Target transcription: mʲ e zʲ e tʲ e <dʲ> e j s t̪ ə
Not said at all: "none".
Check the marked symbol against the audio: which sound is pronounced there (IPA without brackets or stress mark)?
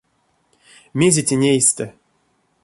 nʲ